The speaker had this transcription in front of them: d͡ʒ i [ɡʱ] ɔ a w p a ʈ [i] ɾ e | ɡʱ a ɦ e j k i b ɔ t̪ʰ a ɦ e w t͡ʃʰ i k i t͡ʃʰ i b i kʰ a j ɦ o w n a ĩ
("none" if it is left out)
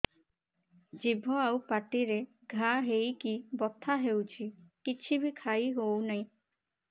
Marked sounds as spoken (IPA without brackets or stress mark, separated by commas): bʱ, i